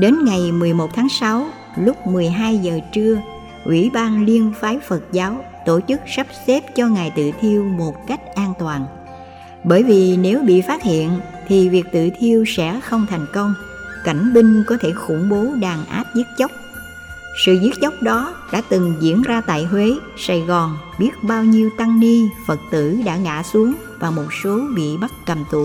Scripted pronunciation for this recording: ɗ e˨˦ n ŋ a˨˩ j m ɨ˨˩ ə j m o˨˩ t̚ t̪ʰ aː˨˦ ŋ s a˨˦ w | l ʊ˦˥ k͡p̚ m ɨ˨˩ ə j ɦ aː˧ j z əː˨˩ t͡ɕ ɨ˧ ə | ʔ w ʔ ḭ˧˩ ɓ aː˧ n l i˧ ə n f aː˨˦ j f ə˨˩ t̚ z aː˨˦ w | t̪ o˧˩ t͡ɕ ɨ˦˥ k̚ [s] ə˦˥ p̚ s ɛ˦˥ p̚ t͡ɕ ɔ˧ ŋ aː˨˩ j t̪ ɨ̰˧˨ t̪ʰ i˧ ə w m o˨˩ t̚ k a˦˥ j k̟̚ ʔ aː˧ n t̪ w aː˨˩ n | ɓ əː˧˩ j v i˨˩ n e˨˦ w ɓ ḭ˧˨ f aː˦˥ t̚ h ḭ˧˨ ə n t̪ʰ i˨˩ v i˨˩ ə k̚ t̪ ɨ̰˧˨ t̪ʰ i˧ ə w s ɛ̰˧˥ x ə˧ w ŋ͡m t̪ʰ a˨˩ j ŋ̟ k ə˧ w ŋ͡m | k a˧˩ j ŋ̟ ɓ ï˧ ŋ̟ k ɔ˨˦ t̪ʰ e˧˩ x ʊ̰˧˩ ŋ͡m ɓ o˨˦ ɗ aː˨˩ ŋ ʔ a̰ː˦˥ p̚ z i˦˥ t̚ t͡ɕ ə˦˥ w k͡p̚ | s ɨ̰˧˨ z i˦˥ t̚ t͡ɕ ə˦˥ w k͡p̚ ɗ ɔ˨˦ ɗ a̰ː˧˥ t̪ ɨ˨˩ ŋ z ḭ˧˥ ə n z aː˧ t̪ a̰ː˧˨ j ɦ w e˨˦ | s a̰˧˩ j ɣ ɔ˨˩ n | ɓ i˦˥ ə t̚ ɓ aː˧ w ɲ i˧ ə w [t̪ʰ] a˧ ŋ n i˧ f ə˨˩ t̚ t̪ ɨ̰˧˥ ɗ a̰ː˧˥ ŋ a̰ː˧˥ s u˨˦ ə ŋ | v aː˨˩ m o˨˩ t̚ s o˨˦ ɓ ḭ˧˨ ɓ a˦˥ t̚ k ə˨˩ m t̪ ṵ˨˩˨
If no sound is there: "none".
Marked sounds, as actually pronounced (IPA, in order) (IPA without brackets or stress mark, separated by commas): s, t̪